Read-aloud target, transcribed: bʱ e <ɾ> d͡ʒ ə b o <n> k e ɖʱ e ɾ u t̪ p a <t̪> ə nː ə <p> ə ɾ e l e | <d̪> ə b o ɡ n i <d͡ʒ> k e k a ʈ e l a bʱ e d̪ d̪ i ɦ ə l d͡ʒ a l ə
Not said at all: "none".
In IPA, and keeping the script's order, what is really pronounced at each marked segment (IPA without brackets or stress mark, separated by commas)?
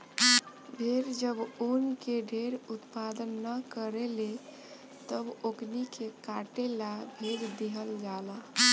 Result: ɾ, n, d̪, k, t̪, none